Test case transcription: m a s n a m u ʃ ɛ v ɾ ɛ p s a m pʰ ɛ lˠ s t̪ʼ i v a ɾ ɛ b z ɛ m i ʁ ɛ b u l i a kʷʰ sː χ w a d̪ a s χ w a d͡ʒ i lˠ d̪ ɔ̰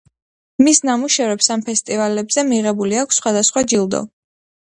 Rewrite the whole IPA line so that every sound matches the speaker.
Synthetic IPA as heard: m i s n a m u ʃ ɛ v ɾ ɛ p s a m pʰ ɛ s t̪ʼ i v a l ɛ b z ɛ m i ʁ ɛ b u l i a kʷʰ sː χ w a d̪ a s χ w a d͡ʒ i lˠ d̪ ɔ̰